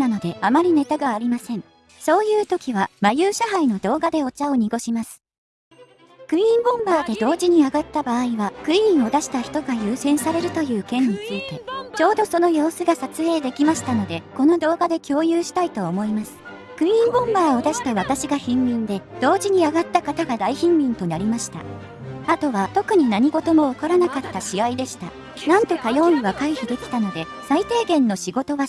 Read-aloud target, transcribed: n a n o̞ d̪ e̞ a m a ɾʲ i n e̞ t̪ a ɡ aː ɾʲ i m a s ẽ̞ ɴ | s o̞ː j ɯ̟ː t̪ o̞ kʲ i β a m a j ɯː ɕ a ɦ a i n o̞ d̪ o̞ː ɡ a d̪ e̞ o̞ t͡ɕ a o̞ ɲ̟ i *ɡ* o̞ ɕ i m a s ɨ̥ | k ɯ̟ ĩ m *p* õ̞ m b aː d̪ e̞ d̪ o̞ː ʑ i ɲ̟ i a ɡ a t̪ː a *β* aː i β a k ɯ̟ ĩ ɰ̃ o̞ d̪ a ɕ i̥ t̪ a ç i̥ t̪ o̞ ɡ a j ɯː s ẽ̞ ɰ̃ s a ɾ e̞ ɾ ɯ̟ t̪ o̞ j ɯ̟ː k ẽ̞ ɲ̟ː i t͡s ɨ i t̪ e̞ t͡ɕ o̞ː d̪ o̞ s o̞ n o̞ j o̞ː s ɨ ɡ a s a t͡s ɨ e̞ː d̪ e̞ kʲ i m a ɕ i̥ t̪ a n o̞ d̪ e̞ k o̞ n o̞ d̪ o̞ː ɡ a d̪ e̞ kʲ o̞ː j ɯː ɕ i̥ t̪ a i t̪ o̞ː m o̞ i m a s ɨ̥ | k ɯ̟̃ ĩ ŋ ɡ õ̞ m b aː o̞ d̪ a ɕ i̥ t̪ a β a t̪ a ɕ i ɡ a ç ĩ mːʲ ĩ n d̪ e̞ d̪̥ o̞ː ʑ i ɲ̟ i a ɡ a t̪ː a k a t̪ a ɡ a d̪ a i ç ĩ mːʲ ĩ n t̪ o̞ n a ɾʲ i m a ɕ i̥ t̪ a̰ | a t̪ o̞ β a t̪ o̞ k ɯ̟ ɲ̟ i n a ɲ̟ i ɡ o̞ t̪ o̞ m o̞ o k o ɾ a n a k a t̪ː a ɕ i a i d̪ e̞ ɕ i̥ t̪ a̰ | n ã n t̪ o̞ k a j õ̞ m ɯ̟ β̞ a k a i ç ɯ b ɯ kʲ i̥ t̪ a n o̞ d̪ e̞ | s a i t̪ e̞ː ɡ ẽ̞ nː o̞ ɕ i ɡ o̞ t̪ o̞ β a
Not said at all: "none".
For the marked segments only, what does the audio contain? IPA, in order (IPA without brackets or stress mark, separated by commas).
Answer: ɡ, b, b